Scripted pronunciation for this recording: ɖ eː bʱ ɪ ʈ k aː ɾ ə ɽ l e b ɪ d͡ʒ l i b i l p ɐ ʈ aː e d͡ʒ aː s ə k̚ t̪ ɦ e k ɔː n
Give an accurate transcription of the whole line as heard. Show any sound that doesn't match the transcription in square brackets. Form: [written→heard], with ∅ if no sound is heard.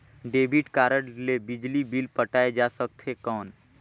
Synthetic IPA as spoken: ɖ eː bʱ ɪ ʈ k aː ɾ ə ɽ l e b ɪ d͡ʒ l i b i l p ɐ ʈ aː e d͡ʒ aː s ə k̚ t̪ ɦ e k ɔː n